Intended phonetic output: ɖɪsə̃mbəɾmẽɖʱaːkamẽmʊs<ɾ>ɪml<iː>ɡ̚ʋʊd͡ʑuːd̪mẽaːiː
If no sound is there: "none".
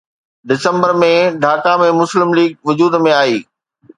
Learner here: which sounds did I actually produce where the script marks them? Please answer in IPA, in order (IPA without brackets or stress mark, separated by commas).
l, iː